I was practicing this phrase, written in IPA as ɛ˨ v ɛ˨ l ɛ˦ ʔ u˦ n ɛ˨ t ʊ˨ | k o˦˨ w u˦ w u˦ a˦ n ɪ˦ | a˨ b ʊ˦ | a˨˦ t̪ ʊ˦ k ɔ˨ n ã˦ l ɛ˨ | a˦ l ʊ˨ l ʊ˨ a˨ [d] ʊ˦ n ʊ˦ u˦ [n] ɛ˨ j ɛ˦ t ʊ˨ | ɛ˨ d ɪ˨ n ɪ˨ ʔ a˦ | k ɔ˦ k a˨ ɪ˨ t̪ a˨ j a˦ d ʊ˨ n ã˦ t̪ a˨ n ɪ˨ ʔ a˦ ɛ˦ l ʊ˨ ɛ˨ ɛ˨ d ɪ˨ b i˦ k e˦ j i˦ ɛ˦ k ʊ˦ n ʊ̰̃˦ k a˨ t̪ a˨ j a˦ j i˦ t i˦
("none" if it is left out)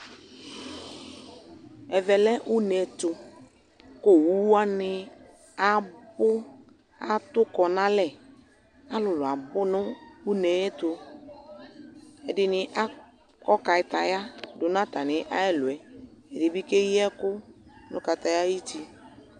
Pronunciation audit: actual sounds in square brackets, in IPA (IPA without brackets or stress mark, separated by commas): b, n